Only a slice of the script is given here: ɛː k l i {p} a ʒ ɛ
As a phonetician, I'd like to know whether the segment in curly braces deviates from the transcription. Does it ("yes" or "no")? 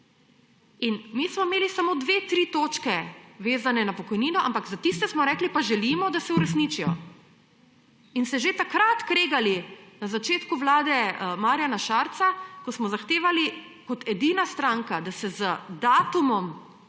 no